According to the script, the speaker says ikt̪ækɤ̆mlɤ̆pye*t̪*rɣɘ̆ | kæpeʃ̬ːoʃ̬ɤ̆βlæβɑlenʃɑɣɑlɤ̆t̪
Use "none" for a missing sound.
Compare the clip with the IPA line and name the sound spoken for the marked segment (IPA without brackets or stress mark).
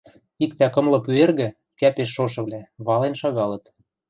none